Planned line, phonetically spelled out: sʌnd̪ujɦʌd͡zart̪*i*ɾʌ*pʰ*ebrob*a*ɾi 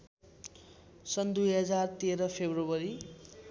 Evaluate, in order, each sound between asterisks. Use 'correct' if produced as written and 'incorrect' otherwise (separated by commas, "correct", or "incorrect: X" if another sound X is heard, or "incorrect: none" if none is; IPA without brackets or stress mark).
incorrect: e, correct, incorrect: ʌ